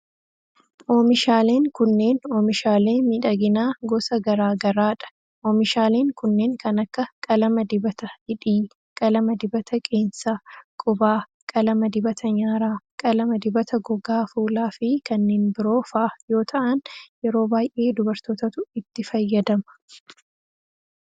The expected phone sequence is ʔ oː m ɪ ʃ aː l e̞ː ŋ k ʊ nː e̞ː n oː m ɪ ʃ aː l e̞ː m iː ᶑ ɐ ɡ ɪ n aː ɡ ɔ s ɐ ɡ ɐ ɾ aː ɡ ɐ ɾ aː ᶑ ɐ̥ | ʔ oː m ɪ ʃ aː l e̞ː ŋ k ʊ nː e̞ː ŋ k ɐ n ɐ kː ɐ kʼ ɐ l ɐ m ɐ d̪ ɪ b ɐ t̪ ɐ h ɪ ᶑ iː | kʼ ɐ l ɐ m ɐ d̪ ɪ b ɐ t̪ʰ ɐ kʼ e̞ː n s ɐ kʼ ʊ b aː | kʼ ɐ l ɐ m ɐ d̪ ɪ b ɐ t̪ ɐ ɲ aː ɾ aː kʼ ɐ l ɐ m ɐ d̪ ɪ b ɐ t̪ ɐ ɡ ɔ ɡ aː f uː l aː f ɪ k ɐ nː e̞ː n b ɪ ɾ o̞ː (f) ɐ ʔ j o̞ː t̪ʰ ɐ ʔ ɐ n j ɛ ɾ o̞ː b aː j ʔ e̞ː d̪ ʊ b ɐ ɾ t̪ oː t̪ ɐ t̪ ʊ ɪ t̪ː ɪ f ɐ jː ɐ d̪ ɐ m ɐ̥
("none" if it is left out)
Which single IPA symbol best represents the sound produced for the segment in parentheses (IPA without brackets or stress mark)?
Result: f